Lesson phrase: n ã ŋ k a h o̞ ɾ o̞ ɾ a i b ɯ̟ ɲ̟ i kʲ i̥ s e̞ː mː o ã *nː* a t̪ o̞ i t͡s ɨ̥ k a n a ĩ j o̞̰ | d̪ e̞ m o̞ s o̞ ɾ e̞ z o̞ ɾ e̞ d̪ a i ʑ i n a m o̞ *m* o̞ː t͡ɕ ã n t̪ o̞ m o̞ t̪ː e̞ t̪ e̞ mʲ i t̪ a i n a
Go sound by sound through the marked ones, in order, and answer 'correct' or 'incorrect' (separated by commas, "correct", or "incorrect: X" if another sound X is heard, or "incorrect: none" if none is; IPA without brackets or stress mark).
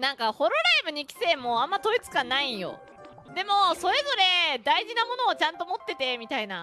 incorrect: mː, incorrect: n